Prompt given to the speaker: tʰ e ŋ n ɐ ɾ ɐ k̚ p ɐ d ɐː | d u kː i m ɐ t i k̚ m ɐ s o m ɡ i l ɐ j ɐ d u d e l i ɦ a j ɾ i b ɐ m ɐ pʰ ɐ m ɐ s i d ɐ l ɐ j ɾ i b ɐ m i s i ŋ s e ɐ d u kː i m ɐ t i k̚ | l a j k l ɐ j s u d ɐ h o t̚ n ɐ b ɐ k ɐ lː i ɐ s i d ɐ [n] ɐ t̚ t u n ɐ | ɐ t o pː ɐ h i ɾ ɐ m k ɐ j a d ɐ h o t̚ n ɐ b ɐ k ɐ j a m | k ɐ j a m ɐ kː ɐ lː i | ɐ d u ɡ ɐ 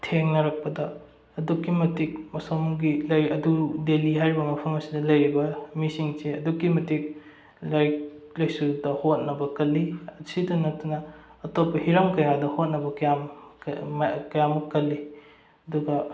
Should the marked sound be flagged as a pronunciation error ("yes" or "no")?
no